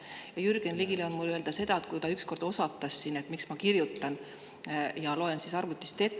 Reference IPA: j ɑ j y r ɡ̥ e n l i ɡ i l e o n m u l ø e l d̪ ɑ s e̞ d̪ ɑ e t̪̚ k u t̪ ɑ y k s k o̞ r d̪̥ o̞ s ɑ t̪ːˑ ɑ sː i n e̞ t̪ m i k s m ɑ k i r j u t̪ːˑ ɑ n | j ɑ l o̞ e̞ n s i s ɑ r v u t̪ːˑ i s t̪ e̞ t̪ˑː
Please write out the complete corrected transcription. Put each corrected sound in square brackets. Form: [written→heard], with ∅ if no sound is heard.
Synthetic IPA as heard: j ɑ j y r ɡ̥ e n l i ɡ i l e o n m u l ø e l d̪ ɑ s e̞ d̪ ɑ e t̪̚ k u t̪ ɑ y k s k o̞ r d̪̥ o̞ s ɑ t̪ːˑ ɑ sː i n e̞ t̪ m i k s m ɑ k i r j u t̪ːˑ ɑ n | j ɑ l o̞ e̞ n s i s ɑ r v u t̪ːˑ i s t̪ e̞ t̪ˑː